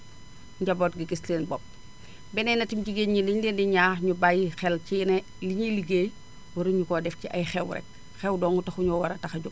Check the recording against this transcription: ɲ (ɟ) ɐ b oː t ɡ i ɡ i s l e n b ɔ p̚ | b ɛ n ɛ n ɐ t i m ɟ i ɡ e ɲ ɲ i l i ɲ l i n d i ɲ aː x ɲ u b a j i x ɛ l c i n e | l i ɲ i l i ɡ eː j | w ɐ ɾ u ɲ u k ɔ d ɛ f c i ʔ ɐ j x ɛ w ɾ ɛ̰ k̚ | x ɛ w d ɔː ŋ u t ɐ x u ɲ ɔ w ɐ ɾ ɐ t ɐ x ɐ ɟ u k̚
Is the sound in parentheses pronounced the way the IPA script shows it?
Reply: yes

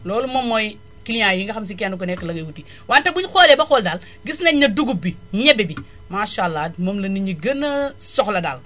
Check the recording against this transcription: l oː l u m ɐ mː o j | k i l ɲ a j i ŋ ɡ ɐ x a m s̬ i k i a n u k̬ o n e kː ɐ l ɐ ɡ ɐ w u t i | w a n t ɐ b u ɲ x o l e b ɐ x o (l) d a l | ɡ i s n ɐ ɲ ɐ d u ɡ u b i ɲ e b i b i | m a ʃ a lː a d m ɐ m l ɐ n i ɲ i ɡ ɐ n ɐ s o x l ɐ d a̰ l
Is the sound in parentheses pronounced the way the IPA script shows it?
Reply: yes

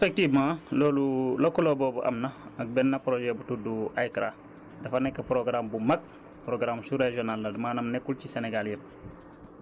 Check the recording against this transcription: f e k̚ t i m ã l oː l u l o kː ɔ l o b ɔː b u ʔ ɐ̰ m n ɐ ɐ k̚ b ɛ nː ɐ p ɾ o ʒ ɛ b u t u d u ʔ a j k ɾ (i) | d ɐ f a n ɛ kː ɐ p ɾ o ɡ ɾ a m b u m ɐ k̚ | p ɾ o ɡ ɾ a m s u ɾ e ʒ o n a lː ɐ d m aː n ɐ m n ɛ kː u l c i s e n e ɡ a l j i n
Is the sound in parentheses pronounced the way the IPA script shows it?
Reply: no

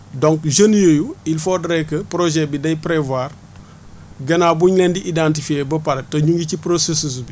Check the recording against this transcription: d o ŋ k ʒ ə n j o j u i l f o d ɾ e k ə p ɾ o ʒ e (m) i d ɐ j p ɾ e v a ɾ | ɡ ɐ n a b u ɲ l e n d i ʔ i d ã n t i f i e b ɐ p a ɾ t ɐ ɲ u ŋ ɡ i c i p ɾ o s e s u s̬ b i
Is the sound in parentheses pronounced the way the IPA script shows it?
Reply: no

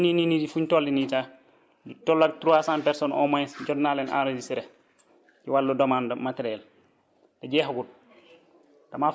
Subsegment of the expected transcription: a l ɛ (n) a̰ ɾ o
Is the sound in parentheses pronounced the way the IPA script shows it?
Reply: yes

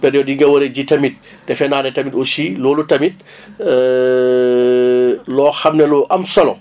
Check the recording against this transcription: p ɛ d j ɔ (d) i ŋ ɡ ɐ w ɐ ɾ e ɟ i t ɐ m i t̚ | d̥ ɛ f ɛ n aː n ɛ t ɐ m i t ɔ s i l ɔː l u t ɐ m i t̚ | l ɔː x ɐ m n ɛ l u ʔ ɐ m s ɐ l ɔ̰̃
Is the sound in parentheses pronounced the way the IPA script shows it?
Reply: yes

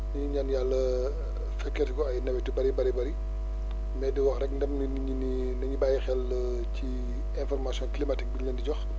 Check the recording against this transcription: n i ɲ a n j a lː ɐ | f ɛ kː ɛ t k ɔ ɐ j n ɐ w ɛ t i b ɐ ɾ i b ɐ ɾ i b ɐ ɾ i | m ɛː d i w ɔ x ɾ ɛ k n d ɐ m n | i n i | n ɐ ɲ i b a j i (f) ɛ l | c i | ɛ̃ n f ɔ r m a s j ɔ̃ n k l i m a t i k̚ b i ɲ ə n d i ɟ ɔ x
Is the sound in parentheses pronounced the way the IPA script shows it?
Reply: no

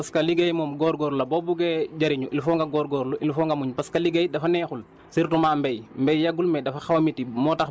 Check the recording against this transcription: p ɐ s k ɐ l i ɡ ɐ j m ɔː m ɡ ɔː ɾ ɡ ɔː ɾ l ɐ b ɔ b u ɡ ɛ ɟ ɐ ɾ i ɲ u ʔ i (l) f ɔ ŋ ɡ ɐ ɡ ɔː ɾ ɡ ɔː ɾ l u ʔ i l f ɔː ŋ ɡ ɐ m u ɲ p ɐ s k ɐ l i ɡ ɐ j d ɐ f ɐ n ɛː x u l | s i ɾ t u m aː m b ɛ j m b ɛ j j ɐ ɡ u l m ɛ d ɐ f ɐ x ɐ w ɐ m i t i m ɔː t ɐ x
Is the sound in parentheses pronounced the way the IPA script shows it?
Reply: yes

